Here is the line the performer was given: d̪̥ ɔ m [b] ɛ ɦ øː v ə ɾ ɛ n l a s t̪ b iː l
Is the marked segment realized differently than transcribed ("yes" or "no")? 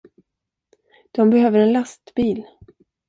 no